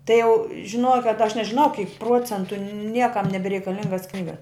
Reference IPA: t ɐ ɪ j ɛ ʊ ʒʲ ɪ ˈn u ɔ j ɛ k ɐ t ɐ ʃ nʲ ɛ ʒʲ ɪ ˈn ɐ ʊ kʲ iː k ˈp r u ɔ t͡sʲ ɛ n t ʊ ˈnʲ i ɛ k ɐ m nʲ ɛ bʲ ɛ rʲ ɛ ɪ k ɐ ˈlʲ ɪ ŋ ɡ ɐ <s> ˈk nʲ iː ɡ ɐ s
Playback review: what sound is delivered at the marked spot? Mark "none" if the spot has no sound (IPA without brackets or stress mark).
s